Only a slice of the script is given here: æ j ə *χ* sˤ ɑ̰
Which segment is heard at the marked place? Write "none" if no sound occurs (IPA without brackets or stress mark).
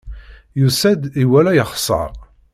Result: χ